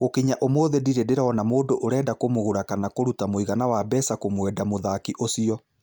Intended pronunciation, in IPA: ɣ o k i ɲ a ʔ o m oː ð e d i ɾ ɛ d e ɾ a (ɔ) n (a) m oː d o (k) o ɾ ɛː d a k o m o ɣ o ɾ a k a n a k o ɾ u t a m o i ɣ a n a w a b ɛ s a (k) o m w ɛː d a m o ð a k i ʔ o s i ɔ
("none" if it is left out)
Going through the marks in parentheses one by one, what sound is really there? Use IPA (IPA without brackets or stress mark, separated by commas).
ɔ, a, ʔ, k